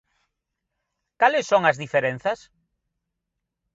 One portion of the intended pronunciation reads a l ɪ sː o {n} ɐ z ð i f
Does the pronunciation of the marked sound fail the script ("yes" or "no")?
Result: yes